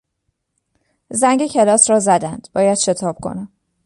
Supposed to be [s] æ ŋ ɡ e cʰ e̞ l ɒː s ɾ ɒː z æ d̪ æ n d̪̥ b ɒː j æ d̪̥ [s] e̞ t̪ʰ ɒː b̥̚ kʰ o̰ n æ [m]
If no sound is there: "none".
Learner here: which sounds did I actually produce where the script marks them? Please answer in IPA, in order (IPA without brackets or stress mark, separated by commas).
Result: z, ʃ, m